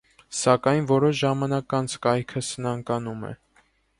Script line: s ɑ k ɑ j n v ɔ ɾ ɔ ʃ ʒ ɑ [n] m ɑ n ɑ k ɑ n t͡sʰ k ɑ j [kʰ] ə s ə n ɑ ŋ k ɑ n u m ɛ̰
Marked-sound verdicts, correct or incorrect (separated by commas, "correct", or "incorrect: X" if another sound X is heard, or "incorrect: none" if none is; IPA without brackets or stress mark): incorrect: none, correct